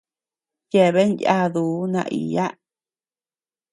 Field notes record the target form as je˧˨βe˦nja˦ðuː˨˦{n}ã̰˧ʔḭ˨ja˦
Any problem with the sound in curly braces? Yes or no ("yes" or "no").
no